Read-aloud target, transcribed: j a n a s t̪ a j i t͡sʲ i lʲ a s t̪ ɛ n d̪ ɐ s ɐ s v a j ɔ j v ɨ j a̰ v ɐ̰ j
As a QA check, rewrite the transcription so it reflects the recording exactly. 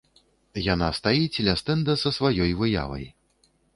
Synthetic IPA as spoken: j a n a s t̪ a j i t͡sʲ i lʲ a s t̪ ɛ n d̪ ɐ s ɐ s v a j ɔ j v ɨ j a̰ v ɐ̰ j